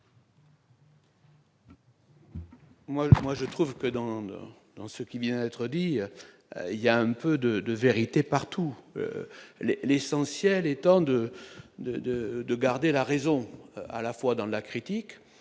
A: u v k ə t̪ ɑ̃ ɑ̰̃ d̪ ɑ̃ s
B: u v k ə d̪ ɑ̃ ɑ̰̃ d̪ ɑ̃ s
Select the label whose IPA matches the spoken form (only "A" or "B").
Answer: B